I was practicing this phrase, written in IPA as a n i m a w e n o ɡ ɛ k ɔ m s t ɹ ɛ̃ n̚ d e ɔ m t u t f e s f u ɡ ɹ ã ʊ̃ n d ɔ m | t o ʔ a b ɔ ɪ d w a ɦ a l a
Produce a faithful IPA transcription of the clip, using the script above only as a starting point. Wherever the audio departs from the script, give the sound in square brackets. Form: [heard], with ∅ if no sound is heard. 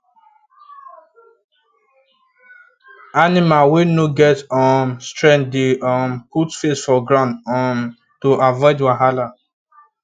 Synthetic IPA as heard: a n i m a w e n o ɡ ɛ [t] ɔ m s t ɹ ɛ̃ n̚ d e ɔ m [p] u t f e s f [ɔ] ɡ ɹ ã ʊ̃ n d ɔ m | t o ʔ a [v] ɔ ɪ d w a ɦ a l a